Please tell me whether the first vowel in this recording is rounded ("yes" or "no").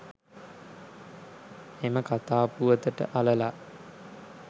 no